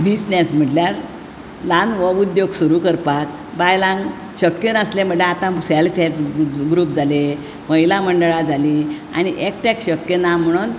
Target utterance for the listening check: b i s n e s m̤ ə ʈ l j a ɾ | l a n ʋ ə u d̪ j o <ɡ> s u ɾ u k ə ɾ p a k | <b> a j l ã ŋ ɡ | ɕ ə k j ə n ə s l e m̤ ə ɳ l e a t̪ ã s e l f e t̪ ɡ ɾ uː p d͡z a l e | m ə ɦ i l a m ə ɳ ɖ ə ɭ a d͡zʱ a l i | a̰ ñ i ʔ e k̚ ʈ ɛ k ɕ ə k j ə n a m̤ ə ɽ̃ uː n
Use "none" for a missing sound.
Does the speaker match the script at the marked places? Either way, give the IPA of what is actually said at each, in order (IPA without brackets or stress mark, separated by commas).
ɡ, b